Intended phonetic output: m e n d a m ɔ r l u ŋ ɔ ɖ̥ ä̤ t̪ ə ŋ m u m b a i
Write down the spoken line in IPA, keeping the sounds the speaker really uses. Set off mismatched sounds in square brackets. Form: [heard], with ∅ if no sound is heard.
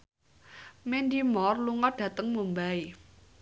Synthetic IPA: m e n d [i] m ɔ r l u ŋ ɔ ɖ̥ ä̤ t̪ ə ŋ m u m b a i

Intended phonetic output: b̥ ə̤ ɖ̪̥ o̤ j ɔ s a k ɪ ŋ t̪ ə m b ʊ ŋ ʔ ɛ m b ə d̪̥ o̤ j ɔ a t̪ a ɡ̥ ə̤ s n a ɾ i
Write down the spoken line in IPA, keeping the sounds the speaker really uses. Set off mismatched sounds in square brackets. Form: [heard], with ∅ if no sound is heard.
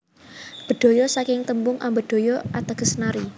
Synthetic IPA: b̥ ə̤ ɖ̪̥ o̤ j ɔ s a k ɪ ŋ t̪ ə m b ʊ ŋ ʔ [a] m b ə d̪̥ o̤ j ɔ a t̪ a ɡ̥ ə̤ s n a ɾ i

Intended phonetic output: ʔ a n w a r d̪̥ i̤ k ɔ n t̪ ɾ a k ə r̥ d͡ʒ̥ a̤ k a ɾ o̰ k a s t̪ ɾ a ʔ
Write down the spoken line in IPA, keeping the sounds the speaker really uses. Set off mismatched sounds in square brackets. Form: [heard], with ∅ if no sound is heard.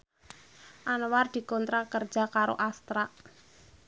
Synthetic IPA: ʔ a n w a r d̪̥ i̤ k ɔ n t̪ ɾ a k ə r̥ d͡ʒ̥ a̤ k a ɾ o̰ [ʔ] a s t̪ ɾ a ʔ

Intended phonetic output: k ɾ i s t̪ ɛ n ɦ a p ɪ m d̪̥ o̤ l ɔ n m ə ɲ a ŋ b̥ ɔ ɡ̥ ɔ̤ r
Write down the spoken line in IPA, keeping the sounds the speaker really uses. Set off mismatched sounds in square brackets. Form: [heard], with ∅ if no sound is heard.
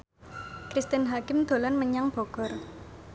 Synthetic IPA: k ɾ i s t̪ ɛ n ɦ a [k] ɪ m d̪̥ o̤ l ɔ n m ə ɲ a ŋ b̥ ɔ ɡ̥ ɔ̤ r

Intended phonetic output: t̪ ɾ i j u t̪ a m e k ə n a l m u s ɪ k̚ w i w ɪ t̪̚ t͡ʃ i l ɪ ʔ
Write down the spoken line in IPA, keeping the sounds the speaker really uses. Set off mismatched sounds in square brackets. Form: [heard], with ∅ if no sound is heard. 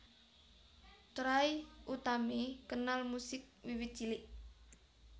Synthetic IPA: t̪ ɾ [a] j u t̪ a m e k ə n a l m u s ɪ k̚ w i w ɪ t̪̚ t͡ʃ i l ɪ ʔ

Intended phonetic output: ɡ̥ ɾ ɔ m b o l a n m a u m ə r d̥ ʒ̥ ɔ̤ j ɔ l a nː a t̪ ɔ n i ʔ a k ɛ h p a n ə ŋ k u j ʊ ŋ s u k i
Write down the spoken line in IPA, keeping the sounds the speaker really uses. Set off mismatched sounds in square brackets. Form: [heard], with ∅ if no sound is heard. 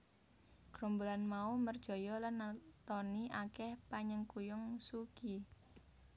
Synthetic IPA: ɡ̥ ɾ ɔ m b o l a n m a u m ə r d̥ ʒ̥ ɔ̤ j ɔ l a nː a t̪ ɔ n i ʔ a k ɛ h p a [ɲ] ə ŋ k u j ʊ ŋ s u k i

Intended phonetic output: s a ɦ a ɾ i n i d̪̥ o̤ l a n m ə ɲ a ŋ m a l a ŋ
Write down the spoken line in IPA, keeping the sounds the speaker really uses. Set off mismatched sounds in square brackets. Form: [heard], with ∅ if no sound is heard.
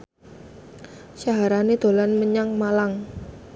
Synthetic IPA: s a ɦ a ɾ [a] n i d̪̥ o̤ l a n m ə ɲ a ŋ m a l a ŋ

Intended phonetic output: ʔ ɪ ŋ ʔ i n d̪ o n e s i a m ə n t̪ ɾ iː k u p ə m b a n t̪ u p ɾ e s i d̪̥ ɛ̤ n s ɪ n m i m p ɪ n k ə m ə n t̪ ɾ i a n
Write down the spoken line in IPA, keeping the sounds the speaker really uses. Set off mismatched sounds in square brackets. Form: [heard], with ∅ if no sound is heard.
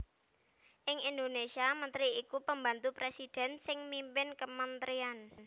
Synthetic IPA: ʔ ɪ ŋ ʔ i n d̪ o n e s i a m ə n t̪ ɾ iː k u p ə m b a n t̪ u p ɾ e s i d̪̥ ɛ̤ n s ɪ [ŋ] m i m p ɪ n k ə m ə n t̪ ɾ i a n

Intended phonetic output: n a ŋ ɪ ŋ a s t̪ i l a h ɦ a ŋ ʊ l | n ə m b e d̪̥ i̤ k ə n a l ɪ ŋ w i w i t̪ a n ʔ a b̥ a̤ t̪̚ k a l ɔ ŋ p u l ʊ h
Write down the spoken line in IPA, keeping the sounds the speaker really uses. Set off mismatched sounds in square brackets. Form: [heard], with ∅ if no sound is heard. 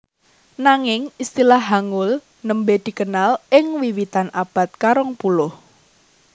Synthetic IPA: n a ŋ ɪ ŋ [i] s t̪ i l a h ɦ a ŋ ʊ l | n ə m b e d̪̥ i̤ k ə n a l ɪ ŋ w i w i t̪ a n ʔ a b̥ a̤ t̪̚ k a [ɾ] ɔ ŋ p u l ʊ h

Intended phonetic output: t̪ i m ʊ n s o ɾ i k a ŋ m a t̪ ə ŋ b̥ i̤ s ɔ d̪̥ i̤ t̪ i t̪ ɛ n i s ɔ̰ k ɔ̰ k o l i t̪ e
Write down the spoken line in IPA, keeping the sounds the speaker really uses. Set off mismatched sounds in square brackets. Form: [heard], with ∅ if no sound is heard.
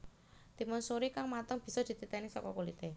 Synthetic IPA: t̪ i m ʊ n s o ɾ i k a ŋ m a t̪ ə ŋ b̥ i̤ s ɔ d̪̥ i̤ t̪ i t̪ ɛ n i s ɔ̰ k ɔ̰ k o l i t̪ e

